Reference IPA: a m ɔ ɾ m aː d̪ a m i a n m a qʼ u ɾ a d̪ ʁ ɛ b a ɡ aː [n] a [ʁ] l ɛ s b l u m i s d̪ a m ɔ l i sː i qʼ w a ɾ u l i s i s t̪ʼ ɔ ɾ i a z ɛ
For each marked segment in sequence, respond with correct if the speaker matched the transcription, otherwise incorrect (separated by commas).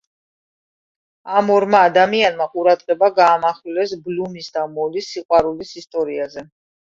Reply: incorrect, incorrect